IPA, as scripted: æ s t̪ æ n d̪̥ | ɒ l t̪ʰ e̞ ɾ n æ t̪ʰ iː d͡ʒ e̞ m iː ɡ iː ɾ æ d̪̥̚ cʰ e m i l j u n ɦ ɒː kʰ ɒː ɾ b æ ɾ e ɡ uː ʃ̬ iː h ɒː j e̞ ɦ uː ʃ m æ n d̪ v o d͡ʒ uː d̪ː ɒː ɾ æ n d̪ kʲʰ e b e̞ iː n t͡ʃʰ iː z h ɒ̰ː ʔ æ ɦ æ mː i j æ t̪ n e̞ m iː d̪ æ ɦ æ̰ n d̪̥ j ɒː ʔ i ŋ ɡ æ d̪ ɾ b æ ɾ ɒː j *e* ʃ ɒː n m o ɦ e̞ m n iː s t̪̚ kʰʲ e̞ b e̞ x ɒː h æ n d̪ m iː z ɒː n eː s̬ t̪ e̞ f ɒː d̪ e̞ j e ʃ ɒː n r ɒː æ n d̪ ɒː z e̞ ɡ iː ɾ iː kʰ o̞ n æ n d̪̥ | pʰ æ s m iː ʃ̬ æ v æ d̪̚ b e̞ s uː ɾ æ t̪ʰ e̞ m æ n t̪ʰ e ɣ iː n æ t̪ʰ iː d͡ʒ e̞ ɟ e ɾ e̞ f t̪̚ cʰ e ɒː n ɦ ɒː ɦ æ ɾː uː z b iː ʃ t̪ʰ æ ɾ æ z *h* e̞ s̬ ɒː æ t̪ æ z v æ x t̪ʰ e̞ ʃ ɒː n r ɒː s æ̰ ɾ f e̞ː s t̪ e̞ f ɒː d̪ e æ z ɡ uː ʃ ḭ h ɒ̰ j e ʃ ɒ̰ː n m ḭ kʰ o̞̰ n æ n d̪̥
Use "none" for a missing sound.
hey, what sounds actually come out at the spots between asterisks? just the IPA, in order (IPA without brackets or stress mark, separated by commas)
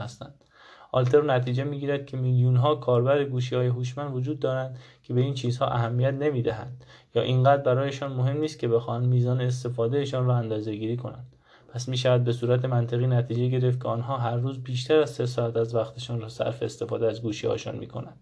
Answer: e, s